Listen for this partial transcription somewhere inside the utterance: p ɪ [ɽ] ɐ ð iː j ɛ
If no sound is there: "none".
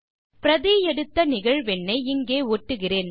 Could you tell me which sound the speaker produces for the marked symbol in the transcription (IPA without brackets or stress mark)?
ɾ